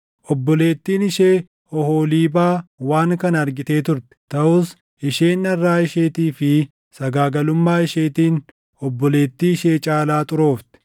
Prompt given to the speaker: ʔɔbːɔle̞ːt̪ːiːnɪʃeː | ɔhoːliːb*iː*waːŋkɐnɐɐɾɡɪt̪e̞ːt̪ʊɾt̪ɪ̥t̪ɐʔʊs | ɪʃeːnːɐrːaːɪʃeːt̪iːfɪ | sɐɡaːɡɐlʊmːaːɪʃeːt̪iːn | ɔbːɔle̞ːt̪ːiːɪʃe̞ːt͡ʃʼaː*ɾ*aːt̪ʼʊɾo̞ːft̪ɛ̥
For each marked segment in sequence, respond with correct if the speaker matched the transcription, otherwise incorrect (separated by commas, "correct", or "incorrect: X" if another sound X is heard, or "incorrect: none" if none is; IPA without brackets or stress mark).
incorrect: aː, incorrect: l